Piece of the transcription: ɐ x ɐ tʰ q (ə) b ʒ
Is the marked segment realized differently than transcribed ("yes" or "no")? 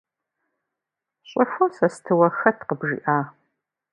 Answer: no